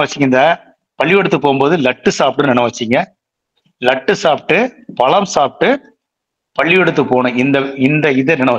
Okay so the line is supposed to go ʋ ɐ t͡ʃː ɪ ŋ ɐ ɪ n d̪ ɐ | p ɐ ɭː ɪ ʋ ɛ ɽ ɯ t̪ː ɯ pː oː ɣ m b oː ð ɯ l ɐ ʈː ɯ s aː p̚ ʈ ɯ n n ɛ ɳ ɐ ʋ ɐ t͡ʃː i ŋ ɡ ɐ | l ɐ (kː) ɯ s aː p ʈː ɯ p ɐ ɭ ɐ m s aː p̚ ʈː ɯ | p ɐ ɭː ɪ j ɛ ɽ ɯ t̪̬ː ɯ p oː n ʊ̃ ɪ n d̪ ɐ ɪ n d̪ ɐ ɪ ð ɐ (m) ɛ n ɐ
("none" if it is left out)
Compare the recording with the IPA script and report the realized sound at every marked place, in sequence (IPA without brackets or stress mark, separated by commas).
ʈː, n